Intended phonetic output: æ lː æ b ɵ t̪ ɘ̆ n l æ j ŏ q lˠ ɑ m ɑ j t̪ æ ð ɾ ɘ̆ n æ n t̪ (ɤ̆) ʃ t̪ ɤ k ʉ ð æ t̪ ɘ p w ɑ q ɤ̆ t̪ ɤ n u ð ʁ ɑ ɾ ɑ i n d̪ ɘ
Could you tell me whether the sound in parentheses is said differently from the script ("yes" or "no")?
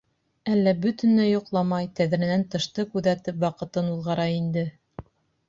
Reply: no